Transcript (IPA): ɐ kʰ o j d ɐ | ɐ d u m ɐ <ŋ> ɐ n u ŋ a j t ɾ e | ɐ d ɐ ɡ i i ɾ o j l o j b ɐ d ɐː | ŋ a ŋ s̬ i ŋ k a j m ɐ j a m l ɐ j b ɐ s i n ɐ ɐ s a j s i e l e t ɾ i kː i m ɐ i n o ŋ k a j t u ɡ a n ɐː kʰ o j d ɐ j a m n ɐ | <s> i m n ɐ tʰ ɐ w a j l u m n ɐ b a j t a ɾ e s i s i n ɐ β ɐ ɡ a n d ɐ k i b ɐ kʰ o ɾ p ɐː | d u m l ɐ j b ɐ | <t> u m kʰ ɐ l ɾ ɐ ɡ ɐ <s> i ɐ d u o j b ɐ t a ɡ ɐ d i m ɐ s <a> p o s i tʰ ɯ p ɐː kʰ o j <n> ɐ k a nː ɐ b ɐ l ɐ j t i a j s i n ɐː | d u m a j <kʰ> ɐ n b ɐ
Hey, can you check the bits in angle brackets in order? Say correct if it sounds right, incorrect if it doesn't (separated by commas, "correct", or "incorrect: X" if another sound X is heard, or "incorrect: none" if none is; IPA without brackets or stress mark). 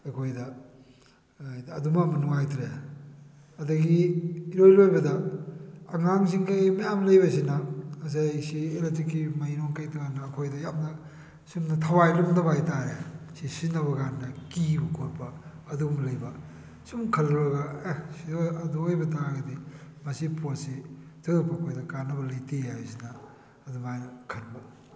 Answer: incorrect: m, correct, incorrect: s, correct, incorrect: i, incorrect: d, correct